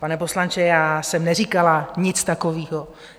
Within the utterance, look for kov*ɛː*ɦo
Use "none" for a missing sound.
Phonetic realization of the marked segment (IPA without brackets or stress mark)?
iː